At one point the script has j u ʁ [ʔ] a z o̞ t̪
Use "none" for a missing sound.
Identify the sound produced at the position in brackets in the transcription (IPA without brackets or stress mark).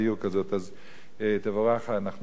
k